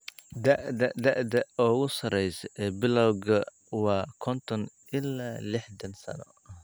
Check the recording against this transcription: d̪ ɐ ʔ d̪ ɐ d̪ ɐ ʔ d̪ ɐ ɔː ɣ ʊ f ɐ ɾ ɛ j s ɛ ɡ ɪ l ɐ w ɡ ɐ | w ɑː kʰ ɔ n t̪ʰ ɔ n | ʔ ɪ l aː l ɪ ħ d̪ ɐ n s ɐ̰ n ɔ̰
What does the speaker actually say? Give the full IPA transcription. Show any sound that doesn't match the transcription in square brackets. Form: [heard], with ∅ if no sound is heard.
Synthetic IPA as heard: d̪ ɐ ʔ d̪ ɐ d̪ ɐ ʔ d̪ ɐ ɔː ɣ ʊ [s] ɐ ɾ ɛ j s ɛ [b] ɪ l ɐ w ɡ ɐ | w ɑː kʰ ɔ n t̪ʰ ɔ n | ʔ ɪ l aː l ɪ ħ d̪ ɐ n s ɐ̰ n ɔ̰